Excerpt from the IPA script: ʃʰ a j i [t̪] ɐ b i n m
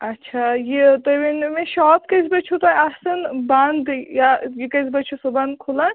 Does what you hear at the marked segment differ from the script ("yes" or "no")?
no